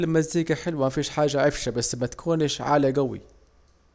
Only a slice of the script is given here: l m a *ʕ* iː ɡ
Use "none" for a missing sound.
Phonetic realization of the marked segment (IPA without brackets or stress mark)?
z